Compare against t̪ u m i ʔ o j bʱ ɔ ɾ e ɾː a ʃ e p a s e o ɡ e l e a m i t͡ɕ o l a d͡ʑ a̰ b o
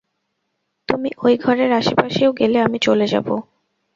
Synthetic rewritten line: t̪ u m i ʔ o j ɡʱ ɔ ɾ e ɾ a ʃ e p a ʃ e o ɡ e l e a m i t͡ɕ o l e d͡ʑ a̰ b o